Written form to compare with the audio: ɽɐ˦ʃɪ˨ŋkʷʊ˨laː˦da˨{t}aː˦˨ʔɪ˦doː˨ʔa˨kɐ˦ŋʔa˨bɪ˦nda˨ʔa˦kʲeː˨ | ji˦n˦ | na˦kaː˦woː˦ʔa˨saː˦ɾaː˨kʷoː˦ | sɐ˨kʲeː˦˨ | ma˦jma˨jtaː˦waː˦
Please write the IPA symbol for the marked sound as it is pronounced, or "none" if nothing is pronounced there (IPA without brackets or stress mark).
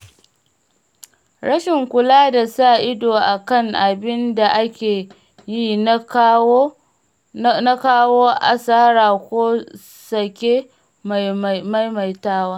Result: s